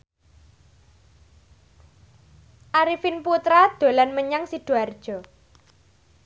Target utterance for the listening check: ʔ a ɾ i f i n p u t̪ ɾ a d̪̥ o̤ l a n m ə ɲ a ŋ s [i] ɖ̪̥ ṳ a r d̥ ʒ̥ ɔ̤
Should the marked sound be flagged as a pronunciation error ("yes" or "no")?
no